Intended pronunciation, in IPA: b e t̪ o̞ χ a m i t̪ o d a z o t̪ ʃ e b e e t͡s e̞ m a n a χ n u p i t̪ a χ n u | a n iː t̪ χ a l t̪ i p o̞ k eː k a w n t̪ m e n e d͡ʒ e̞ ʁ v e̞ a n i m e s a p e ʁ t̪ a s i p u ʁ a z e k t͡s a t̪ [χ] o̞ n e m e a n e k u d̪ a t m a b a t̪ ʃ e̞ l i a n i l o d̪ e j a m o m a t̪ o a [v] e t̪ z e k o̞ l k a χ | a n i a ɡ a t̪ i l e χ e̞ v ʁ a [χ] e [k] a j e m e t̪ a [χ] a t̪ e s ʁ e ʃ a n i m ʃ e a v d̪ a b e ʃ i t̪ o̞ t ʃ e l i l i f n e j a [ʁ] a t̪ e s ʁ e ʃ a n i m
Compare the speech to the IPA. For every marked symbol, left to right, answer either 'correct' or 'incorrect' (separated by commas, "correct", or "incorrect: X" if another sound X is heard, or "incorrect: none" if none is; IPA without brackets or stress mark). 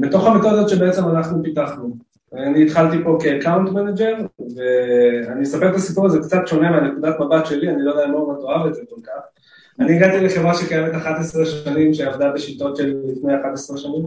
incorrect: ʃ, correct, incorrect: ʃ, correct, correct, incorrect: χ